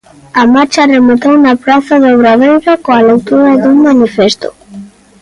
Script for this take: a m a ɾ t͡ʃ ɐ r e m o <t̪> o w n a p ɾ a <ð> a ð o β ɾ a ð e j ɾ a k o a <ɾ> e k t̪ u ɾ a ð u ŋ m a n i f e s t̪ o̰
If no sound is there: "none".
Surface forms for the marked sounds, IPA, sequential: t̪, θ, l

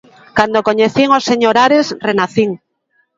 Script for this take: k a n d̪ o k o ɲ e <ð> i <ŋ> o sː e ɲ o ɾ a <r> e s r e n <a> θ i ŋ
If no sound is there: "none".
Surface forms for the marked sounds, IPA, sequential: θ, ŋ, ɾ, a

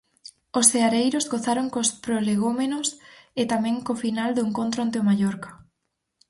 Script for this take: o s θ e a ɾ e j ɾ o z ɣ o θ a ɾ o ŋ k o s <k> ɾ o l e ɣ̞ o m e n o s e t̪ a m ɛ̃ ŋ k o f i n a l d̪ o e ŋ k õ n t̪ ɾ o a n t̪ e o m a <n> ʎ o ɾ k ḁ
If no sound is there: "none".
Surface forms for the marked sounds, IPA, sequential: p, none

